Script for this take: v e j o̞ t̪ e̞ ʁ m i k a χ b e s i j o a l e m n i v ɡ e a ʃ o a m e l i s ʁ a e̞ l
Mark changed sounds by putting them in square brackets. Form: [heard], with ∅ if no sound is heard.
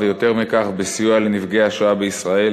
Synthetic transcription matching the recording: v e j o̞ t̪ e̞ ʁ m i k a χ b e s i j [u] a l e [∅] n i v ɡ e a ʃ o a [b] e [∅] i s ʁ a e̞ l